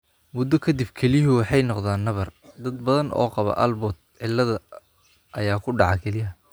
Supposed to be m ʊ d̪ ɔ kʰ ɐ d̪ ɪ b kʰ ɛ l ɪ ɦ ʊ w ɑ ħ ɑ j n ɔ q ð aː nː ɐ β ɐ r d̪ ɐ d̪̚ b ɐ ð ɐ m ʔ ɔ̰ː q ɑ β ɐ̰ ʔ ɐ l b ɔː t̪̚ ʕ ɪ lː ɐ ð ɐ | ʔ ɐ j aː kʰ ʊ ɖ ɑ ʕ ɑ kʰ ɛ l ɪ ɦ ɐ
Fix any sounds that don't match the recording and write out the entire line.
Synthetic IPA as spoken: m ʊ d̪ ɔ kʰ ɐ d̪ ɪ b kʰ ɛ l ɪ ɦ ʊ w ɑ ħ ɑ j n ɔ q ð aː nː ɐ β ɐ r d̪ ɐ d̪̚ b ɐ ð ɐ n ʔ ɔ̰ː q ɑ β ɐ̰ ʔ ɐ l b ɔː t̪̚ ʕ ɪ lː ɐ ð ɐ | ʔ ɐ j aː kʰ ʊ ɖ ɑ ʕ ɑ kʰ ɛ l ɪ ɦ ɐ

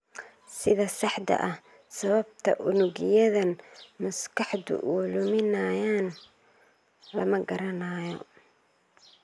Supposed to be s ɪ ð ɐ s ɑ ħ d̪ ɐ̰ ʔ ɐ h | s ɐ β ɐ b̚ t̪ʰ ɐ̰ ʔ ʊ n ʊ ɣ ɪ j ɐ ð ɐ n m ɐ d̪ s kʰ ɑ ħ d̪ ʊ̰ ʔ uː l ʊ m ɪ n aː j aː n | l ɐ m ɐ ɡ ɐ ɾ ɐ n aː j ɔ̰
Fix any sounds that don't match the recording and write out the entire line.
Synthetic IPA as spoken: s ɪ ð ɐ s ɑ ħ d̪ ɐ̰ ʔ ɐ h | s ɐ β ɐ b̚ t̪ʰ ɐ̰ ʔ ʊ n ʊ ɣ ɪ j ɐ ð ɐ n m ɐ s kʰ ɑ ħ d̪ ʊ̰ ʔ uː l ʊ m ɪ n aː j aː n | l ɐ m ɐ ɡ ɐ ɾ ɐ n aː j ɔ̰

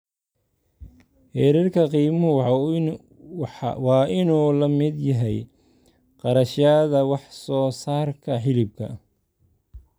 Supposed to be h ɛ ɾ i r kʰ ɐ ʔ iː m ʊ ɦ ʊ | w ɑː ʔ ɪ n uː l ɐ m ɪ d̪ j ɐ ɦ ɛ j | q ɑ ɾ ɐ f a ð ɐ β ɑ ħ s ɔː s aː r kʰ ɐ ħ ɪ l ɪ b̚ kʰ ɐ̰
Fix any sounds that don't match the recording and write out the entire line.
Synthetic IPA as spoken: h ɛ ɾ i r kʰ ɐ q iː m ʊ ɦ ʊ | w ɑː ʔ ɪ n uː l ɐ m ɪ d̪ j ɐ ɦ ɛ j | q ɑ ɾ ɐ ʃ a ð ɐ w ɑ ħ s ɔː s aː r kʰ ɐ ħ ɪ l ɪ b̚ kʰ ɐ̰

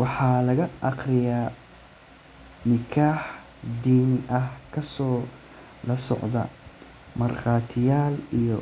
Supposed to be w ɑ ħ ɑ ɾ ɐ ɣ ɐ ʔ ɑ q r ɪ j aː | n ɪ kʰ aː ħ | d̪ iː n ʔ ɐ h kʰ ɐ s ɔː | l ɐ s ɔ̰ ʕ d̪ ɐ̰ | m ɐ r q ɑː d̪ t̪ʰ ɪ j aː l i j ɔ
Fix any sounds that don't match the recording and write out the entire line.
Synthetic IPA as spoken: w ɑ ħ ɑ l ɐ ɣ ɐ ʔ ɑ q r ɪ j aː | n ɪ kʰ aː ħ | d̪ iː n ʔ ɐ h kʰ ɐ s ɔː | l ɐ s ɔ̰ ʕ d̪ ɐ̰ | m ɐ r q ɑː t̪ʰ ɪ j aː l i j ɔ

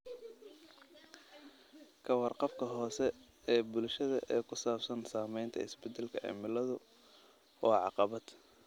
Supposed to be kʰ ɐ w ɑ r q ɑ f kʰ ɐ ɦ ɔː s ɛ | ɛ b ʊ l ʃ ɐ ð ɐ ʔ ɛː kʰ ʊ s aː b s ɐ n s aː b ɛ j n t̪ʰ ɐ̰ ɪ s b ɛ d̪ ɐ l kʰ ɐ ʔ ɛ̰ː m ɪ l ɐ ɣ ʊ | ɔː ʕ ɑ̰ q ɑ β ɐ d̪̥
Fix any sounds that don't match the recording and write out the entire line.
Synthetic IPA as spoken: kʰ ɐ w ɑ r q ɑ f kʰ ɐ ɦ ɔː s ɛ | ɛː b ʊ l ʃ ɐ ð ɐ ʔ ɛː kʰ ʊ s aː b s ɐ n s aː m ɛ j n t̪ʰ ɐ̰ ɪ s b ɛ d̪ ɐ l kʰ ɐ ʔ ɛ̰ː m ɪ l ɐ ð ʊ | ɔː ʕ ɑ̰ q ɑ β ɐ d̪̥

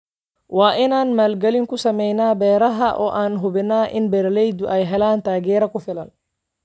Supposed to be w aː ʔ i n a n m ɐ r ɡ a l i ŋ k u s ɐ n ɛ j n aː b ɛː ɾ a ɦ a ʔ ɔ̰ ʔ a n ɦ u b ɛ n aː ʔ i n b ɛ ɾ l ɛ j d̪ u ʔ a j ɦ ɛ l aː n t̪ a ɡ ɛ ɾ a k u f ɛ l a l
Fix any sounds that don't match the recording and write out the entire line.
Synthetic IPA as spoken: w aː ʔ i n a n m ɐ l ɡ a l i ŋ k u s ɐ m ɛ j n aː b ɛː ɾ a ɦ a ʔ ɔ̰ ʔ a n ɦ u b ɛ n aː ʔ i n b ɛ ɾ l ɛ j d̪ u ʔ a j ɦ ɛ l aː n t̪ a ɡ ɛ ɾ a k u f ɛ l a l

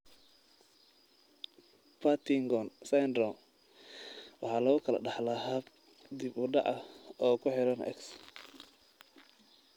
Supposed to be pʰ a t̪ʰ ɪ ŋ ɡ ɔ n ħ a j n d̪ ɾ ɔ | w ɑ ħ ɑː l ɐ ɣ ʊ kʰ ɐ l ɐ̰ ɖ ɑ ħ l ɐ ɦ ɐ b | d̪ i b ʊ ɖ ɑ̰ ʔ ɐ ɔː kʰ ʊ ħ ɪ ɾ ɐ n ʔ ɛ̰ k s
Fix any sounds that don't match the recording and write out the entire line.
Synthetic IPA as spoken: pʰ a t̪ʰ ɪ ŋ ɡ ɔ n s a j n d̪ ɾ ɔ | w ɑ ħ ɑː l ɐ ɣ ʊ kʰ ɐ l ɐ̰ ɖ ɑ ħ l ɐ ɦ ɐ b | d̪ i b ʊ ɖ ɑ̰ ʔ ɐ ɔː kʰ ʊ ħ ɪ ɾ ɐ n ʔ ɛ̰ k s

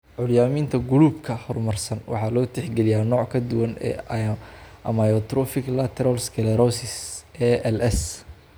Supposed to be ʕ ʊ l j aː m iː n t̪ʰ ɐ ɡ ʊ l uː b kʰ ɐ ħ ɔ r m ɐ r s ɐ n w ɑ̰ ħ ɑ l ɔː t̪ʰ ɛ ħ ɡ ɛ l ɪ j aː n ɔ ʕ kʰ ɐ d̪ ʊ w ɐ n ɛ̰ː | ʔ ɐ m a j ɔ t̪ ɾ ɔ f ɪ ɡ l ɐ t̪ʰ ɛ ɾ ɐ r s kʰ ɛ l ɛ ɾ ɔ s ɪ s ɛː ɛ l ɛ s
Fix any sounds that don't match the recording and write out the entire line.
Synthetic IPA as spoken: ʕ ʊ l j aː m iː n t̪ʰ ɐ ɡ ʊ l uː b kʰ ɐ h ɔ r m ɐ r s ɐ n w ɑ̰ ħ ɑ l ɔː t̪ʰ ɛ ħ ɡ ɛ l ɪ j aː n ɔː ʕ kʰ ɐ d̪ ʊ w ɐ n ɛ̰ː | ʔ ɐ m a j ɔ t̪ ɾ ɔ f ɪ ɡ l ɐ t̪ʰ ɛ ɾ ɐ l s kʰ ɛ l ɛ ɾ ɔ s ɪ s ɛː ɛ l ɛ s

